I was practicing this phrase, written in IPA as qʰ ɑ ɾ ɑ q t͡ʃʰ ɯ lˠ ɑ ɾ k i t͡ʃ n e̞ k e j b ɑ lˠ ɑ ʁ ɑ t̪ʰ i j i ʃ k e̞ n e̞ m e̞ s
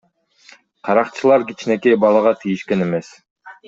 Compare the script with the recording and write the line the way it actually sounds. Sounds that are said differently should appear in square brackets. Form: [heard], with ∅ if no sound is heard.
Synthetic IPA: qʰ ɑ ɾ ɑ q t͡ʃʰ ɯ lˠ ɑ ɾ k i t͡ʃ n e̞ k e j b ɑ lˠ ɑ ʁ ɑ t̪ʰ i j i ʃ k e̞ n e̞ m e̞ s